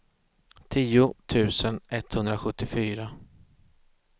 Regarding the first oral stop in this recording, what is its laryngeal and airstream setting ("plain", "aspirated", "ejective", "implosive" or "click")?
aspirated